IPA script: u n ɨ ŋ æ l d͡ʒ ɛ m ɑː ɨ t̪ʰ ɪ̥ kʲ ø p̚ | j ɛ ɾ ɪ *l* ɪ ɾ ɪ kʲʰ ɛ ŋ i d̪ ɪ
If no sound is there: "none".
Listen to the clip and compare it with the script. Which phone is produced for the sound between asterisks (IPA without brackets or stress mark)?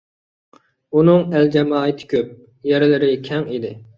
l